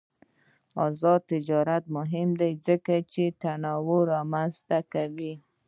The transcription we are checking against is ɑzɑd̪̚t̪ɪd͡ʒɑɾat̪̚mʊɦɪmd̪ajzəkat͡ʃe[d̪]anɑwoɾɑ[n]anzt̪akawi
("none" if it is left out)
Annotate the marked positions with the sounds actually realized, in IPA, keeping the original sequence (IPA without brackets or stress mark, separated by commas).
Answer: t̪, m